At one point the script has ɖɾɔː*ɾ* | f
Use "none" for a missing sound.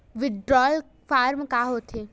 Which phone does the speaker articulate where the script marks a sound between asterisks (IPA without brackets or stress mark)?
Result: l